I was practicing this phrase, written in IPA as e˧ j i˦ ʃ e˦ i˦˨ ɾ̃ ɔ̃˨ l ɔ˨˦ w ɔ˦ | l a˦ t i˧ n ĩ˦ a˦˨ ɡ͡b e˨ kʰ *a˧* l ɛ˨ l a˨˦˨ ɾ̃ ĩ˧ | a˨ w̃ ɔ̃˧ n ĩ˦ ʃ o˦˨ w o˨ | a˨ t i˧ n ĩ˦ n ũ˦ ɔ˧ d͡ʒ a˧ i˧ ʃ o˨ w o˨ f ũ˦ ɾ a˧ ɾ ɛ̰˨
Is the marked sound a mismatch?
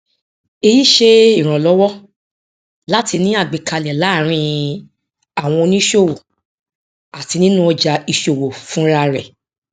no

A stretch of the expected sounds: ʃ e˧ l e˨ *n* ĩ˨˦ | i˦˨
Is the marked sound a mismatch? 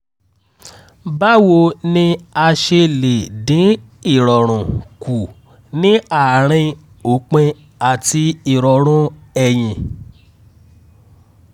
yes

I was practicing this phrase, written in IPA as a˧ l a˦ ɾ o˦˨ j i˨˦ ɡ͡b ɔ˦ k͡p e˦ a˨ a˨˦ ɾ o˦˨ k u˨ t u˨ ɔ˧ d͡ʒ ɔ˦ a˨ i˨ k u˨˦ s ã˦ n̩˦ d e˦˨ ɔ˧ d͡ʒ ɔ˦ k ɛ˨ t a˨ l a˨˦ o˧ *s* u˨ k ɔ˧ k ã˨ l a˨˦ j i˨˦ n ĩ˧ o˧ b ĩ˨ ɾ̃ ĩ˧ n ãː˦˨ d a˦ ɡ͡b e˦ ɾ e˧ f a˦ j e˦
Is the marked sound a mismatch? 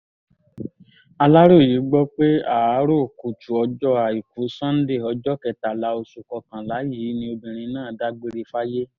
no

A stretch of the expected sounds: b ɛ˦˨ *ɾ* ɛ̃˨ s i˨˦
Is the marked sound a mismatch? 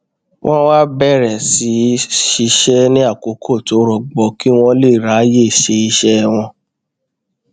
no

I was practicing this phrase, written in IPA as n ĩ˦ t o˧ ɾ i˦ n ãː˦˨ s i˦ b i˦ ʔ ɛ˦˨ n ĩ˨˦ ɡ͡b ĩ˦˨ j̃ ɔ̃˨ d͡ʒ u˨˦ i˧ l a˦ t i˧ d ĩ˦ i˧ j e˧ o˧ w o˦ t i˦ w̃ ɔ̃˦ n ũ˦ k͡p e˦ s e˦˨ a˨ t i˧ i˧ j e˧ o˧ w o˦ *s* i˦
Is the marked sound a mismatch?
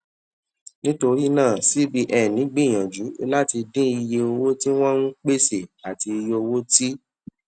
yes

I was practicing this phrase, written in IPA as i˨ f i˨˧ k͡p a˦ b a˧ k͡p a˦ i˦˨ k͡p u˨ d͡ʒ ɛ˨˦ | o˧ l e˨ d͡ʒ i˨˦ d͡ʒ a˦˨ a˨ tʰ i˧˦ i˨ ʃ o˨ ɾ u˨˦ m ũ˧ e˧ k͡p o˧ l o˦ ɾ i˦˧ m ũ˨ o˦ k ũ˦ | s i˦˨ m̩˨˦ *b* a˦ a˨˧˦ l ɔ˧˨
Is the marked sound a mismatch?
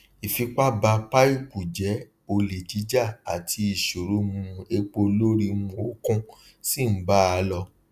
no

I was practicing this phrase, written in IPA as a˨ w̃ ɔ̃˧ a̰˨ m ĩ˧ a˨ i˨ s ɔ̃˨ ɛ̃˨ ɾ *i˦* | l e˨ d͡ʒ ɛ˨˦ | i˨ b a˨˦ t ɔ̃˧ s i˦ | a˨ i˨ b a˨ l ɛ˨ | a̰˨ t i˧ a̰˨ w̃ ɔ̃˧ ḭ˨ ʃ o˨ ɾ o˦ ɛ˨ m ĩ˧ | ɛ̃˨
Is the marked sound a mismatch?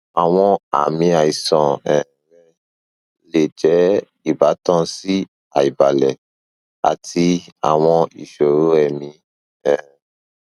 yes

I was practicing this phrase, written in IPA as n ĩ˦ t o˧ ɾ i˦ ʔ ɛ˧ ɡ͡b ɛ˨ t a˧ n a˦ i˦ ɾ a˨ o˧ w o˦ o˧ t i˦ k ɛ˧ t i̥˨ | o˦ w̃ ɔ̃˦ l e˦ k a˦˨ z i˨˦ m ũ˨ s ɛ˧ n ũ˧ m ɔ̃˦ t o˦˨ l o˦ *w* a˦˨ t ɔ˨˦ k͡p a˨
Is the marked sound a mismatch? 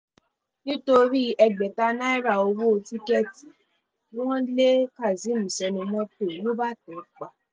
yes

